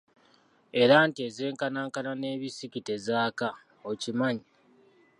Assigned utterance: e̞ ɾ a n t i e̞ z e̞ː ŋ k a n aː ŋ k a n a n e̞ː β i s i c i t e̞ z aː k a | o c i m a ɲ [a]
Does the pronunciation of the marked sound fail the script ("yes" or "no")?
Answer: yes